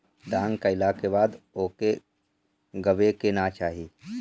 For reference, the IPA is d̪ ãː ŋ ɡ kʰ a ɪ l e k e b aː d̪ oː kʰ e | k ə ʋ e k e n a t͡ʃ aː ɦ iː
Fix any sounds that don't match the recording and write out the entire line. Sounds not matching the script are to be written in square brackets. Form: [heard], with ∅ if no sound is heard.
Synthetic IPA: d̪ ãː ŋ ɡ [k] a ɪ l [a] k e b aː d̪ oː [k] e | [ɡ] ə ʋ e k e n a t͡ʃ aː ɦ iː